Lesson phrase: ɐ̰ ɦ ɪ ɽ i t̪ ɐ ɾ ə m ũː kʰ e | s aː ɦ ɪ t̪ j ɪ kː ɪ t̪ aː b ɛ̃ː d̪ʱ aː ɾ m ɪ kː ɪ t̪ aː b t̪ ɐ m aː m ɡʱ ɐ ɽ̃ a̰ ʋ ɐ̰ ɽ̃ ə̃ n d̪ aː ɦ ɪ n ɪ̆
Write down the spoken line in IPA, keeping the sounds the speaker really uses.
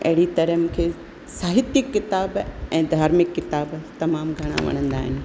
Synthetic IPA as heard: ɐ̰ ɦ ɪ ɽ i t̪ ɐ ɾ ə m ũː kʰ e | s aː ɦ ɪ t̪ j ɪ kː ɪ t̪ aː b ɛ̃ː d̪ʱ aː ɾ m ɪ kː ɪ t̪ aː b t̪ ɐ m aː m ɡʱ ɐ ɽ̃ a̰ ʋ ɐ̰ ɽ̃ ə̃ n d̪ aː ɦ ɪ n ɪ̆